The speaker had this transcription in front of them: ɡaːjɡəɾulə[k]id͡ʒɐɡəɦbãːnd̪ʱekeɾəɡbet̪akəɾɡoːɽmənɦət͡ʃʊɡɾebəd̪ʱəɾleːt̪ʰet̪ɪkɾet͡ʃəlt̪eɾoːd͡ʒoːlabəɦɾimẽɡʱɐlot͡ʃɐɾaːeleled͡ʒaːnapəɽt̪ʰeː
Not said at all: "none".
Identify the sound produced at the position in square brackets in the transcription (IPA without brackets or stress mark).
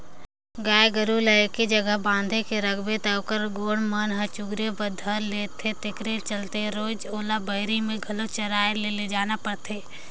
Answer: k